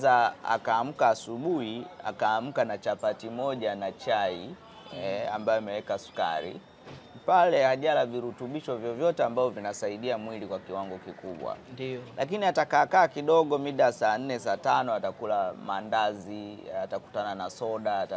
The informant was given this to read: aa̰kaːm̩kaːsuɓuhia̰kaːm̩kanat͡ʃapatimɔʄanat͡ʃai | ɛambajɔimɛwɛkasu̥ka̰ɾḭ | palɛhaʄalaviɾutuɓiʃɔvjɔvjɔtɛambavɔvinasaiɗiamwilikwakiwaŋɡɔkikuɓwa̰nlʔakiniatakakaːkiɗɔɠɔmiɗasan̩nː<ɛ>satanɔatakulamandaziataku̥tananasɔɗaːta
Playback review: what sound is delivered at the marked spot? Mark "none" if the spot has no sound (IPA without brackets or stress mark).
ɛ